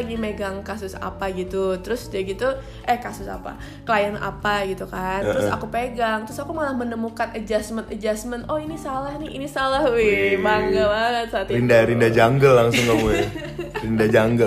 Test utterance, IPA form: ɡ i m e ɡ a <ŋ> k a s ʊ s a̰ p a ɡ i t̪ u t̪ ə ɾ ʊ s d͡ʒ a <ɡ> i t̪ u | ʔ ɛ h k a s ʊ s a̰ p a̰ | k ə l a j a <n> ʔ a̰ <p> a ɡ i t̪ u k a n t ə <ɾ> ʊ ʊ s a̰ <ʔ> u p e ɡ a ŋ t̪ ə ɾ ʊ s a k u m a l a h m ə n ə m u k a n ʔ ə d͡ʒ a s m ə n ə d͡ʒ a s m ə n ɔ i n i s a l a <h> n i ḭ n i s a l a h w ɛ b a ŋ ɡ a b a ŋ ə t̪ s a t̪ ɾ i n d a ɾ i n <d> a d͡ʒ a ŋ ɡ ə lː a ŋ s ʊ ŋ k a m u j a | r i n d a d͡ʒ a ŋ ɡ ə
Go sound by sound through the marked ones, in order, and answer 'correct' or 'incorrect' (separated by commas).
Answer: correct, correct, correct, correct, correct, incorrect, correct, correct